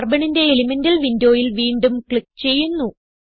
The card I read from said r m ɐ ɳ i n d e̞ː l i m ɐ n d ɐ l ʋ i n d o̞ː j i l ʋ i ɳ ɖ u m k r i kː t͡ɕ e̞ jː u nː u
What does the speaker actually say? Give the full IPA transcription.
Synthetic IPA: r b ɐ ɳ i n d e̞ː l i m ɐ n d ɐ l ʋ i n d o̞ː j i l ʋ iː ɳ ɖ u m k ɭ i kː t͡ɕ e̞ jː u nː u